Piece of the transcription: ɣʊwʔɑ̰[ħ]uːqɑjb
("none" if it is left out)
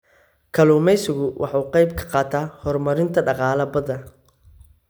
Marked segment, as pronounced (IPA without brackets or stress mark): ħ